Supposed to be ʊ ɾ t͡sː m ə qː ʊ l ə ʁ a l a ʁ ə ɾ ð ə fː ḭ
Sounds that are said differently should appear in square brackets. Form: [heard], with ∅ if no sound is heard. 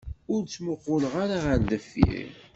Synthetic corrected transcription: ʊ ɾ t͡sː m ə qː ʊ l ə ʁ a [ɾ] a ʁ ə ɾ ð ə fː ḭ